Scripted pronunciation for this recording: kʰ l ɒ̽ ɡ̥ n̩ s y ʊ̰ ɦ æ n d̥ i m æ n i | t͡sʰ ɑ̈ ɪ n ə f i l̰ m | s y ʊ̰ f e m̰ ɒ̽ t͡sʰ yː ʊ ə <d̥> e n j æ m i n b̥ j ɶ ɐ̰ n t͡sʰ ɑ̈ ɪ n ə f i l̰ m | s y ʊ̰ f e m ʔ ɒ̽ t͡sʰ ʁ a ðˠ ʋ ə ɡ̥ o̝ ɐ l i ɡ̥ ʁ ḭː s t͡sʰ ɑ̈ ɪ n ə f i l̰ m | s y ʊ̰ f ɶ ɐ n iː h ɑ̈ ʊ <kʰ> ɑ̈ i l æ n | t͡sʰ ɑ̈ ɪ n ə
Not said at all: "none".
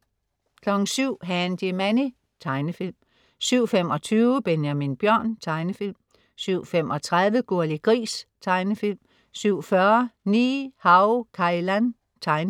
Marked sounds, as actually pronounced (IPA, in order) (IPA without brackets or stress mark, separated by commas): b̥, kʰ